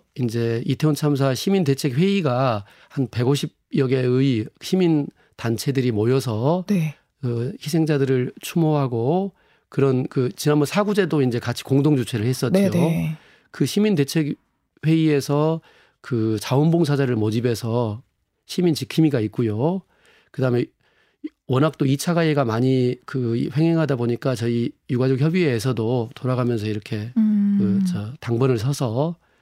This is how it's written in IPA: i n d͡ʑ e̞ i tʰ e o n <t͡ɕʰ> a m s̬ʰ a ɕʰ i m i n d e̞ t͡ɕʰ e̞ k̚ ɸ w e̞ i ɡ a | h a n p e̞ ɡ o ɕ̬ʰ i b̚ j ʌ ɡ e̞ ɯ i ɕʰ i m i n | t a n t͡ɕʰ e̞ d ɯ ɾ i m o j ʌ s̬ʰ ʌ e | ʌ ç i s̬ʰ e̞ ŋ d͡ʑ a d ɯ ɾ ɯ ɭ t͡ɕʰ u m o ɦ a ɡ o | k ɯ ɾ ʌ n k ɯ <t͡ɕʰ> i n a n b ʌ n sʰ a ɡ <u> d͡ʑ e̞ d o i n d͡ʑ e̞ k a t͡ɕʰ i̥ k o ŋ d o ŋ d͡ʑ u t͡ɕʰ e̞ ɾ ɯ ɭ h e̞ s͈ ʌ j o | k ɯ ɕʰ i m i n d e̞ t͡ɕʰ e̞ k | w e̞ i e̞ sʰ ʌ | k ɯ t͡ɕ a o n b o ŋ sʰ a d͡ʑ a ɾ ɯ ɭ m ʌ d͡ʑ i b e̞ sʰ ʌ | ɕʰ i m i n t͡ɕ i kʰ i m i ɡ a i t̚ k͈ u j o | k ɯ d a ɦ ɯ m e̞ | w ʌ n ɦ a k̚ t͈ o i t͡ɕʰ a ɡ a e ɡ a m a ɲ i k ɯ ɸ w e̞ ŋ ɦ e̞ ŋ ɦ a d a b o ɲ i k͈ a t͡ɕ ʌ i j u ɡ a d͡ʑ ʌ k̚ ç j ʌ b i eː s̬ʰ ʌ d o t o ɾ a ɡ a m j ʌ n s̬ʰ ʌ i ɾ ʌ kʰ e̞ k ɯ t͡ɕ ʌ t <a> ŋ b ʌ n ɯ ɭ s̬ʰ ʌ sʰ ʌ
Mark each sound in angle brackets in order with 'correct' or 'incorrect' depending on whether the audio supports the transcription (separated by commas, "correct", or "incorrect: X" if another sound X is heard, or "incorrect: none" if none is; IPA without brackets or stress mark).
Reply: correct, incorrect: t͡ɕ, correct, correct